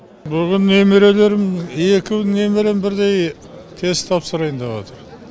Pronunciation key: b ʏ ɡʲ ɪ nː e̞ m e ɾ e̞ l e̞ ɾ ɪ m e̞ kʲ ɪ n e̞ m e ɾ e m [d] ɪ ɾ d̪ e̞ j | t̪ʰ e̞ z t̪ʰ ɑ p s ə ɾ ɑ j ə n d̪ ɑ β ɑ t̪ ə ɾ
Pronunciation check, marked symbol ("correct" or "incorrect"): incorrect